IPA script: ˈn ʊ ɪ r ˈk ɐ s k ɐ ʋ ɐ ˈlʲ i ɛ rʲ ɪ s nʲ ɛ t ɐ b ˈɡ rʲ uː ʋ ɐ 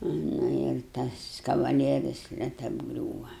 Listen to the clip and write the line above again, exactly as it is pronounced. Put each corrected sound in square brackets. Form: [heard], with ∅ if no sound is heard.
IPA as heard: ˈn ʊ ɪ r [ˈt] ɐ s k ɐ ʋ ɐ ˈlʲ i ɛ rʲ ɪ s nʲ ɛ t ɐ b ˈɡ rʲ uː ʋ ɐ